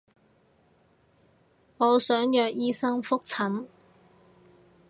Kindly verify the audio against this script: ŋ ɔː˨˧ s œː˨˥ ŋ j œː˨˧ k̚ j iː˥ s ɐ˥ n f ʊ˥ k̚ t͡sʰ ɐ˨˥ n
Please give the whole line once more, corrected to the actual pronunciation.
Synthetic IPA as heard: ŋ ɔː˨˧ s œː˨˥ ŋ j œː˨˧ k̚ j iː˥ s ɐ˥ ŋ f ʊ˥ k̚ t͡sʰ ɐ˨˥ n